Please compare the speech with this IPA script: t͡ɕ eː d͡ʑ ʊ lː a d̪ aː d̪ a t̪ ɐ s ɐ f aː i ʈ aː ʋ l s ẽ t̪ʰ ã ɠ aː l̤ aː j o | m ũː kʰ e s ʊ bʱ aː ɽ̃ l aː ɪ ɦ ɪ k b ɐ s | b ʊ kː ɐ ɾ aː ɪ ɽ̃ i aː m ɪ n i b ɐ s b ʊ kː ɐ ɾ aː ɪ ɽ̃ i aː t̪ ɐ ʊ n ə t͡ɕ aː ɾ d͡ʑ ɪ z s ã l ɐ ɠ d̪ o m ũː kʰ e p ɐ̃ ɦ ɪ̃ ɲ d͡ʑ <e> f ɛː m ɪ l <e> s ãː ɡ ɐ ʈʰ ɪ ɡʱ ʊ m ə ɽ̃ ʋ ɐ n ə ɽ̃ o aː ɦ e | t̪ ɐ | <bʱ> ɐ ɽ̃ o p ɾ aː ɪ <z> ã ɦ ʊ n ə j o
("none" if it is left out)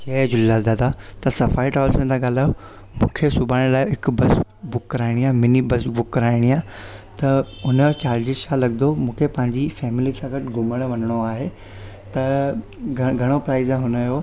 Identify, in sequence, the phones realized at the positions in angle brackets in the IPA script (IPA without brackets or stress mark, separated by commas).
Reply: i, i, ɡʱ, z